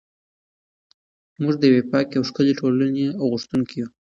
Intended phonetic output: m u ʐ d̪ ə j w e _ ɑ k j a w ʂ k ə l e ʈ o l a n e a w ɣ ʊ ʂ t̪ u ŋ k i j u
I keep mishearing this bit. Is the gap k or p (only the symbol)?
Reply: p